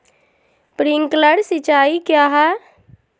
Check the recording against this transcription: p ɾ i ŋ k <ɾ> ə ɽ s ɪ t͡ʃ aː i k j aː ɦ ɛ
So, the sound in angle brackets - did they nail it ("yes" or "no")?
no